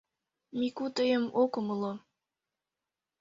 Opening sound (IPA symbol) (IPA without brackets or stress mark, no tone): m